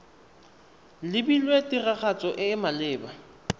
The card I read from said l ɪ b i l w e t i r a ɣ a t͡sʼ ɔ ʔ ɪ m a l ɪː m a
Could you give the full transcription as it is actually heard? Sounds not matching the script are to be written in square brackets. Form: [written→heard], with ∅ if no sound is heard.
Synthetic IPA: l ɪ b i l w e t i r a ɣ a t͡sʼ ɔ ʔ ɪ m a l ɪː [m→b] a